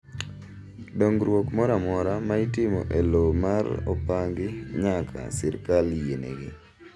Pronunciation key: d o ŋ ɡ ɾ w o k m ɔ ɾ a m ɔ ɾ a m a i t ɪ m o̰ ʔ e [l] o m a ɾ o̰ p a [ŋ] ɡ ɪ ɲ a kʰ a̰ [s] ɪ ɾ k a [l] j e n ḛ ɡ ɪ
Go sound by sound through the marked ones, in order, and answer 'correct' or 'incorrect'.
correct, correct, correct, correct

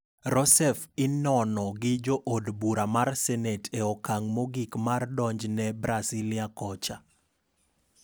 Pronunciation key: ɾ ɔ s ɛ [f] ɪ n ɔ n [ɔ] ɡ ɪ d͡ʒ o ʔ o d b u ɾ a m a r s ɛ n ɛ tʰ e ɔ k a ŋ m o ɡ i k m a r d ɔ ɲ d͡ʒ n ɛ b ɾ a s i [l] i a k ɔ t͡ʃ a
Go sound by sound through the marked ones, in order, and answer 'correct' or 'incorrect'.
correct, correct, correct

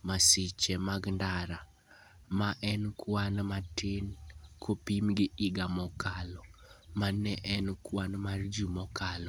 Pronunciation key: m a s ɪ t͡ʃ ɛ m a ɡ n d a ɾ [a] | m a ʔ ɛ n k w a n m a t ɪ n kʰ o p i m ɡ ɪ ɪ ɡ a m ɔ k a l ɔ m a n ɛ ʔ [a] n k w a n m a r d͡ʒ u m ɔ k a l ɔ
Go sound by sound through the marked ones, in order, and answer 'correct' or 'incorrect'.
correct, incorrect

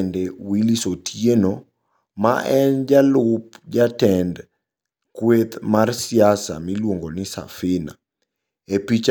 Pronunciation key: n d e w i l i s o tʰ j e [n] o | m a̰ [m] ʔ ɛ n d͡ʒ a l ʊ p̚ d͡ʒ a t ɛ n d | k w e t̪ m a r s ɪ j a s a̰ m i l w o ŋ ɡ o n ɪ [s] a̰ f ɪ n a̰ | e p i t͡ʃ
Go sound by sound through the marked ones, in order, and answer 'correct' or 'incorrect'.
correct, incorrect, correct

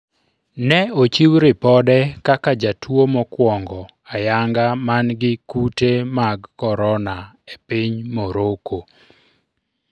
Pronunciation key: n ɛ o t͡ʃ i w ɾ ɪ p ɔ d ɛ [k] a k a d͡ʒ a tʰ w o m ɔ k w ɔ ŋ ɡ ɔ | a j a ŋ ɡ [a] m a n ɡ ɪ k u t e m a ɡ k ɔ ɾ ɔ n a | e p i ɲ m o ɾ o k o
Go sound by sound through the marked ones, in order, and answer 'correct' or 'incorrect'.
correct, correct

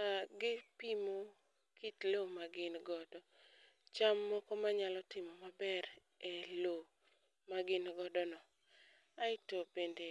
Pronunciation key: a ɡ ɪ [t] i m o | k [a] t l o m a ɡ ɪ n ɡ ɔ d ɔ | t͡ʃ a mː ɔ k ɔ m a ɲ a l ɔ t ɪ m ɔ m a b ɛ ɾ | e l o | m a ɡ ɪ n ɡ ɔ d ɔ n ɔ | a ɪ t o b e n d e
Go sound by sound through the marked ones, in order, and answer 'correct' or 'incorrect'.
incorrect, incorrect

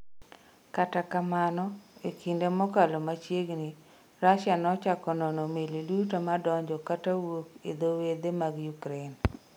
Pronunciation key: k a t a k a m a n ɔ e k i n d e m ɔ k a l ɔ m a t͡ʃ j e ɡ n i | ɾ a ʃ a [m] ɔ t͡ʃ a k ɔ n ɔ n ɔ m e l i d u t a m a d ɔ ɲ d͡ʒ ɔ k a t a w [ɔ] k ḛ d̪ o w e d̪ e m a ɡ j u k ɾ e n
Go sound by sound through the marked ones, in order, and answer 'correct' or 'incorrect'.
incorrect, incorrect

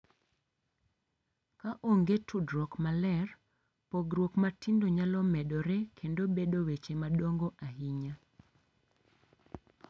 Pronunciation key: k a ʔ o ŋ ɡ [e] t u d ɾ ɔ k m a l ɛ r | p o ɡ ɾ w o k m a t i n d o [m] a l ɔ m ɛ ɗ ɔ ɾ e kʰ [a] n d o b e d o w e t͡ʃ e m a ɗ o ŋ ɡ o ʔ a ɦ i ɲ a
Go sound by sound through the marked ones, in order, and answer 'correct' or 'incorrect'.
correct, incorrect, incorrect

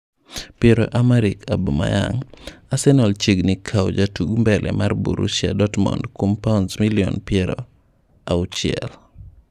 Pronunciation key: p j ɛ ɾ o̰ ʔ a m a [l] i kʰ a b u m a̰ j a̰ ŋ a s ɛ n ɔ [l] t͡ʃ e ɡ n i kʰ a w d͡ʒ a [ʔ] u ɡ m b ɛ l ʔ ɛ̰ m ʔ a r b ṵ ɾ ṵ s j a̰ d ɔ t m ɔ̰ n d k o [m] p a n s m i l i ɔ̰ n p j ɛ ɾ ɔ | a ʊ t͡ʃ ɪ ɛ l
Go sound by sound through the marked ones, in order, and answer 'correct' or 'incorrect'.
incorrect, correct, incorrect, correct

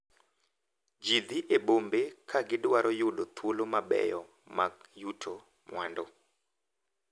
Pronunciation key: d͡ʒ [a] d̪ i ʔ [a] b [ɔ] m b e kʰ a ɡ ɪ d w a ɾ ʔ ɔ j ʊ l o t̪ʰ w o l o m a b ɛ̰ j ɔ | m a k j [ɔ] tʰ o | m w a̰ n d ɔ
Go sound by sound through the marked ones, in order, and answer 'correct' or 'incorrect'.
incorrect, incorrect, incorrect, incorrect

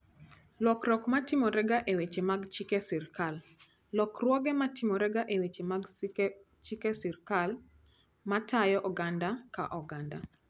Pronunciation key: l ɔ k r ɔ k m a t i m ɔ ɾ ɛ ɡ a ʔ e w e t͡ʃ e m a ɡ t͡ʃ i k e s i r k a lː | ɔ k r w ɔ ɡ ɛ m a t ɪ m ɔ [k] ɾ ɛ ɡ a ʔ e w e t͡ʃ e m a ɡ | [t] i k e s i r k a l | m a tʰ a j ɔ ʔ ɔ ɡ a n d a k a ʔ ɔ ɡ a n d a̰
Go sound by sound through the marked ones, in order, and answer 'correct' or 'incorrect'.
incorrect, incorrect

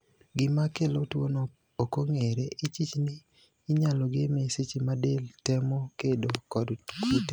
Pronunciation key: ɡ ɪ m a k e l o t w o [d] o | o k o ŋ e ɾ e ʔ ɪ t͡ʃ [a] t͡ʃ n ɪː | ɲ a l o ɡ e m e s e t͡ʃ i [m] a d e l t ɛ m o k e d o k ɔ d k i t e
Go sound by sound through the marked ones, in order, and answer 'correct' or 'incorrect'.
incorrect, incorrect, correct

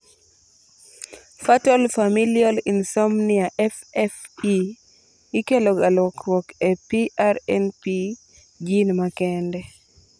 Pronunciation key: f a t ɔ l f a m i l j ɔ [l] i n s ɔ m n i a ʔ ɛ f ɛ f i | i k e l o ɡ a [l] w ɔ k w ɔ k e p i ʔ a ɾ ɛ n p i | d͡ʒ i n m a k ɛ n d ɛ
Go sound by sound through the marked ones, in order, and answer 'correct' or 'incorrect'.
correct, correct

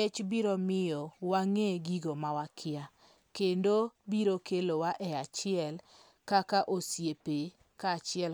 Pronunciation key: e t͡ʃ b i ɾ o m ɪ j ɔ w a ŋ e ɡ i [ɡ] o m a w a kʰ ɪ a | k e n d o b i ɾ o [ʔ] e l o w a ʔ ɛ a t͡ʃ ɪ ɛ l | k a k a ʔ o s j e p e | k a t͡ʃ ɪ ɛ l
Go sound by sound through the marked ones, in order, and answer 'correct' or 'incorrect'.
correct, incorrect

